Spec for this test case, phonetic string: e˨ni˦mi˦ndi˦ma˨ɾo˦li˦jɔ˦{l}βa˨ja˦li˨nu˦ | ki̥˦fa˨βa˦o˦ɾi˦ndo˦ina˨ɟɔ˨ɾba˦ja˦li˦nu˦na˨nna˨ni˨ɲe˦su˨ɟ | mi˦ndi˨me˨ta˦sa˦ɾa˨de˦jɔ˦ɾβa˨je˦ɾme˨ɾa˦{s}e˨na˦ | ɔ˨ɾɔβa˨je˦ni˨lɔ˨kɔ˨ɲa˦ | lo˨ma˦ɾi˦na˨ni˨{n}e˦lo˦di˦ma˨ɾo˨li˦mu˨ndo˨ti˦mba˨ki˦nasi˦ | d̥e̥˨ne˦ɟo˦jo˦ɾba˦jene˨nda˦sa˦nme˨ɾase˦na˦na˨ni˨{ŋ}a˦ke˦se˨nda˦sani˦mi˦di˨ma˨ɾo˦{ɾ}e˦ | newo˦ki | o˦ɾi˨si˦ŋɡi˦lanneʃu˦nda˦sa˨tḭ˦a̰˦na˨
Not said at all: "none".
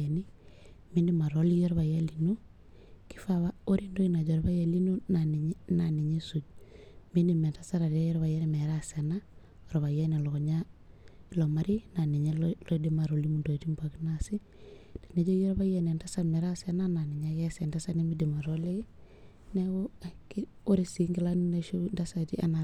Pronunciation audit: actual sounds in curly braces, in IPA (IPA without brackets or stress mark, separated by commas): ɾ, s, ɲ, ɲ, l